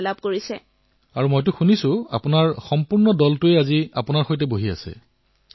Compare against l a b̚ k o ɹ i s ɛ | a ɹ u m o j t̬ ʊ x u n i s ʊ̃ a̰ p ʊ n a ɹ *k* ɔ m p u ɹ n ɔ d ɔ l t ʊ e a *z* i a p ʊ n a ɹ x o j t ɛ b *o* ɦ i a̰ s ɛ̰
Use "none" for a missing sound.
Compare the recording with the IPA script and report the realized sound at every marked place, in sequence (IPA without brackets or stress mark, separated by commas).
x, z, o